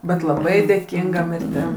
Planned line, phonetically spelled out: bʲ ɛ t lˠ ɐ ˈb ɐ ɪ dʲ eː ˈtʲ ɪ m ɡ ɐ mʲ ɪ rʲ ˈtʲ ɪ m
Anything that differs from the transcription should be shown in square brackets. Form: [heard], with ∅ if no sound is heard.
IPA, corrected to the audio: bʲ ɛ t lˠ ɐ ˈb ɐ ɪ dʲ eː [ˈkʲ] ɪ [ŋ] ɡ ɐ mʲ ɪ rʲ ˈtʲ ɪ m